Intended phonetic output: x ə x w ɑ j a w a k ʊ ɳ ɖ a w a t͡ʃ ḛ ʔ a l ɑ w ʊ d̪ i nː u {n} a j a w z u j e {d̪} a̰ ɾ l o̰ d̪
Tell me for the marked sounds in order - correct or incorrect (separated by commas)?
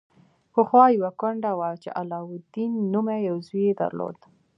incorrect, correct